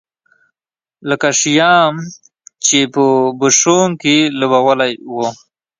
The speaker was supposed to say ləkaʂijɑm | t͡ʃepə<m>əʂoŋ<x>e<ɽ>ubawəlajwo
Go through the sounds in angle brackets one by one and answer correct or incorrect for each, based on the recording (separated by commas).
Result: incorrect, incorrect, incorrect